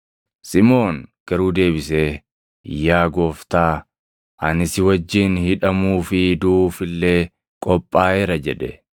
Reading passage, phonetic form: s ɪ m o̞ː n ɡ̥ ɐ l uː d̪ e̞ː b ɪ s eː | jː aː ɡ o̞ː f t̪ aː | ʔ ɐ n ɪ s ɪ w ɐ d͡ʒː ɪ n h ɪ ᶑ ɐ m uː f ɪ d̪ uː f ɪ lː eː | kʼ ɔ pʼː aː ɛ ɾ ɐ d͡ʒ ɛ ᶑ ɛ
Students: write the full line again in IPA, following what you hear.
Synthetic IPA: s ɪ m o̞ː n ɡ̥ ɐ ɾ uː d̪ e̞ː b ɪ s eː | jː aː ɡ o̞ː f t̪ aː | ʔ ɐ n ɪ s ɪ w ɐ d͡ʒː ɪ n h ɪ ᶑ ɐ m uː f ɪ d̪ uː f ɪ lː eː | kʼ ɔ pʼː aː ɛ ɾ ɐ d͡ʒ ɛ ᶑ ɛ

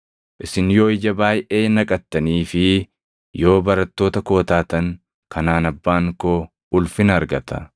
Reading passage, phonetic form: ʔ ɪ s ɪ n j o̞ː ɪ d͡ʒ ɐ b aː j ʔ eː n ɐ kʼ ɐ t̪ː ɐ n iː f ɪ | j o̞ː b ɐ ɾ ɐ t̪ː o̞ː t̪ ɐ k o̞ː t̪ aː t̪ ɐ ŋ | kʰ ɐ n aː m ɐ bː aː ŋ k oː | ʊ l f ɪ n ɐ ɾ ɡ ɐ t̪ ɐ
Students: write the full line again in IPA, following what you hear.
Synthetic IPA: ʔ ɪ s ɪ n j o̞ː ɪ d͡ʒ ɐ b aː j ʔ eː n ɐ kʼ ɐ t̪ː ɐ n iː f ɪ | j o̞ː b ɐ ɾ ɐ t̪ː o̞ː t̪ ɐ k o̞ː t̪ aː t̪ ɐ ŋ | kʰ ɐ n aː n ɐ bː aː ŋ k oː | ʊ l f ɪ n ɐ ɾ ɡ ɐ t̪ ɐ

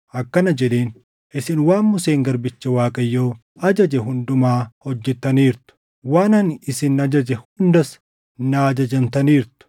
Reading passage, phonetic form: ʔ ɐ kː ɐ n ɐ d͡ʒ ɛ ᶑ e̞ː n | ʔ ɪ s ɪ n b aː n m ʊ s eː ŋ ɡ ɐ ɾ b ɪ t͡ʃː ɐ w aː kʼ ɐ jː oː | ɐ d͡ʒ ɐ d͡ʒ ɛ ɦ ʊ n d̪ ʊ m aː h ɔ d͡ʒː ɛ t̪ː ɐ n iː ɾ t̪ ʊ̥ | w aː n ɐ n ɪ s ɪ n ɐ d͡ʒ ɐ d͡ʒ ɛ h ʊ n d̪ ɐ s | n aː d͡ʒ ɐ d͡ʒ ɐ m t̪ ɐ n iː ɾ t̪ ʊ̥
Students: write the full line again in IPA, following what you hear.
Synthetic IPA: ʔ ɐ kː ɐ n ɐ d͡ʒ ɛ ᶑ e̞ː n | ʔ ɪ s ɪ n w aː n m ʊ s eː ŋ ɡ ɐ ɾ b ɪ t͡ʃː ɐ w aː kʼ ɐ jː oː | ɐ d͡ʒ ɐ d͡ʒ ɛ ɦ ʊ n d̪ ʊ m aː h ɔ d͡ʒː ɛ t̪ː ɐ n iː ɾ t̪ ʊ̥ | w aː n ɐ n ɪ s ɪ n ɐ d͡ʒ ɐ d͡ʒ ɛ h ʊ n d̪ ɐ s | n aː d͡ʒ ɐ d͡ʒ ɐ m t̪ ɐ n iː ɾ t̪ ʊ̥

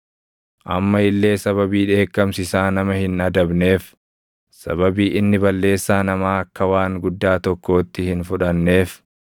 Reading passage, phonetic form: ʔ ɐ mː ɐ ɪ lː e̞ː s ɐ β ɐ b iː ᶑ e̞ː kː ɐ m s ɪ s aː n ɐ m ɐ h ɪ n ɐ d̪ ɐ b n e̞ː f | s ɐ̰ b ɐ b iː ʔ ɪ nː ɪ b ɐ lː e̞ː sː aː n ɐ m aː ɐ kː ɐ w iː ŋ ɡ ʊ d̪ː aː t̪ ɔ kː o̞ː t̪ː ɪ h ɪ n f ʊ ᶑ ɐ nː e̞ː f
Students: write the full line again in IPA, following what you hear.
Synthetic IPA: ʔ ɐ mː ɐ ɪ lː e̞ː s ɐ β ɐ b iː ᶑ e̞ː kː ɐ m s ɪ s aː n ɐ m ɐ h ɪ n ɐ d̪ ɐ b n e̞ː f | s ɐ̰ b ɐ b iː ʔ ɪ nː ɪ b ɐ lː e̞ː sː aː n ɐ m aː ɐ kː ɐ w aː ŋ ɡ ʊ d̪ː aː t̪ ɔ kː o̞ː t̪ː ɪ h ɪ n f ʊ ᶑ ɐ nː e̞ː f

